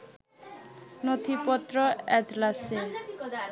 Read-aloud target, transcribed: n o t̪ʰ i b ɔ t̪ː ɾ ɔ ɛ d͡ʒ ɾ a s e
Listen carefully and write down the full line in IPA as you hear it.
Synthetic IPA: n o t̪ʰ i p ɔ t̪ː ɾ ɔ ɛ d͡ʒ l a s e